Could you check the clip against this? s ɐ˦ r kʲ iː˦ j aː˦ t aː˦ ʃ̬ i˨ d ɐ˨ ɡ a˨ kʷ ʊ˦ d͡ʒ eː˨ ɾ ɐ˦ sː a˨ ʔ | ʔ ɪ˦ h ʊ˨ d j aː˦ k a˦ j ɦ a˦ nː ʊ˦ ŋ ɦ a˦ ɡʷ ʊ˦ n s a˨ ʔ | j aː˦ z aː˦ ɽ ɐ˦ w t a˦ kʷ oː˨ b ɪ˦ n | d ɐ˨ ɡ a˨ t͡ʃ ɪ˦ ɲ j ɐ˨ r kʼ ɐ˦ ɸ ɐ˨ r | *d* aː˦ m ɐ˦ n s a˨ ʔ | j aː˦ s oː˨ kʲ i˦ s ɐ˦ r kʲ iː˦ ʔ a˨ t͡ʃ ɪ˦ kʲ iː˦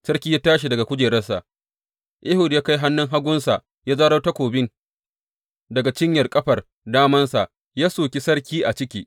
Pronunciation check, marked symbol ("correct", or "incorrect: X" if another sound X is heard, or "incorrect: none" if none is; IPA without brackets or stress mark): correct